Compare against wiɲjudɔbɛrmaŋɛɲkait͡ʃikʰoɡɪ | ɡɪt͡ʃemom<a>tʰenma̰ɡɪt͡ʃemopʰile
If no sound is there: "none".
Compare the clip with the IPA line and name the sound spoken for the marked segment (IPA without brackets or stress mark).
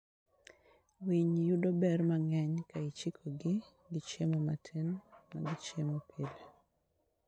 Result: a